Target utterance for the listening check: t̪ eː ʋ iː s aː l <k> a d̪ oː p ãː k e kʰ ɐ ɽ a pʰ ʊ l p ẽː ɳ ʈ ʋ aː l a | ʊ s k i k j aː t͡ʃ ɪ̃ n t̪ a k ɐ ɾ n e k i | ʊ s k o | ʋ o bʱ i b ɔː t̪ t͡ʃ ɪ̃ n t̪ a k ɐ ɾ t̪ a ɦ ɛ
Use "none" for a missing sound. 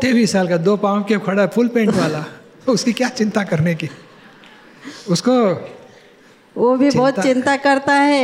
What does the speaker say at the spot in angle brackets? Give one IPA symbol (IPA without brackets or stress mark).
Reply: k